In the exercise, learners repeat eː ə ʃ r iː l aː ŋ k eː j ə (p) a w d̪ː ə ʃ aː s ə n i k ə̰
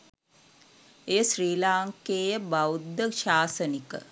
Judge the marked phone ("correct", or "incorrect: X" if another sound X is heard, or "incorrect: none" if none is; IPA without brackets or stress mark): incorrect: b